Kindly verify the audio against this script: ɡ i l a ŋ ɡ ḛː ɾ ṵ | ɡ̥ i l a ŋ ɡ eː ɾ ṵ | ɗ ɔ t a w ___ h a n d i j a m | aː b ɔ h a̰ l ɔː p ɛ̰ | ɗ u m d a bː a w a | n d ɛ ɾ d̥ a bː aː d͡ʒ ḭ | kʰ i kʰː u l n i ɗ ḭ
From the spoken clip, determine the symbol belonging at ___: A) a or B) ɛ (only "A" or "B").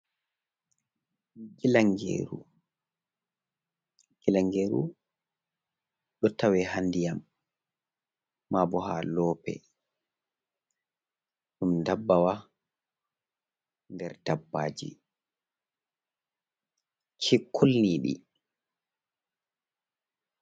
B